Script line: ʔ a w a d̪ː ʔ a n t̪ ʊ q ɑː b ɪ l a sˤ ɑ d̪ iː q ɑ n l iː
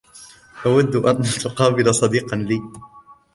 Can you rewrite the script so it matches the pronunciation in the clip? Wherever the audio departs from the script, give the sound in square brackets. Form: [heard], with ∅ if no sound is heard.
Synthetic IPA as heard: ʔ a w a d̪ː ʔ a n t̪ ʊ q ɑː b ɪ l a sˤ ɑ d̪ iː q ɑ n l iː